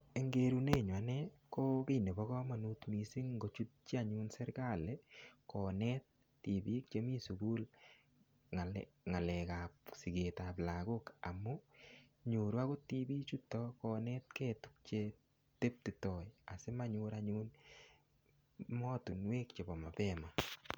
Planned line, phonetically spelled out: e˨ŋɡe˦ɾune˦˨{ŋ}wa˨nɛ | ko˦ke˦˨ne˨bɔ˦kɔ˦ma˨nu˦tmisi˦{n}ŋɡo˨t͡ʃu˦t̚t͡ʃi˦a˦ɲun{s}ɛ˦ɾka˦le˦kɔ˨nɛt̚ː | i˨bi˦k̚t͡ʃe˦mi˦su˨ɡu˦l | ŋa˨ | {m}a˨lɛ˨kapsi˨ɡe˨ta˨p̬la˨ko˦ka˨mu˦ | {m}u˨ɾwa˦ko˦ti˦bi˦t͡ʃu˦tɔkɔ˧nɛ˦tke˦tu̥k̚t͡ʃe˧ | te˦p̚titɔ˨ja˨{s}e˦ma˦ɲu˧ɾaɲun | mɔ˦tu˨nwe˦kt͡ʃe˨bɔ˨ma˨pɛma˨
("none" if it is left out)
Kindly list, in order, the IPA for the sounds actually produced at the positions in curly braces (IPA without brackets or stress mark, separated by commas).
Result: ɲ, ŋ, s, ŋ, ɲ, s